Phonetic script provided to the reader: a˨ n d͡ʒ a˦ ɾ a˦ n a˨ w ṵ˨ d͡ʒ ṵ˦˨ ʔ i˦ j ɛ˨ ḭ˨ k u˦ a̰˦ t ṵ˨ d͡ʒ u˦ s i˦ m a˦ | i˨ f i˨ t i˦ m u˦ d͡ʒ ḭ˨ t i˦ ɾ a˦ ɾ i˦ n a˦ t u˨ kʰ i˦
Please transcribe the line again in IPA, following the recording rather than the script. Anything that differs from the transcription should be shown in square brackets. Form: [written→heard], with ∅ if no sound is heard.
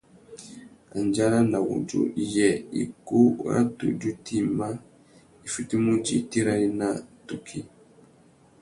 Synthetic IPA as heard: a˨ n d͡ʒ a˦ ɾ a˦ n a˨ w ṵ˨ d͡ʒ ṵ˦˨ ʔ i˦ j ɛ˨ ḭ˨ k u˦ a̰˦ t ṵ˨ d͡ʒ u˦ [s→t] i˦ m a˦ | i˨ f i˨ t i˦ m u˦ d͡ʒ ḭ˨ t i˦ ɾ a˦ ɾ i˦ n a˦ t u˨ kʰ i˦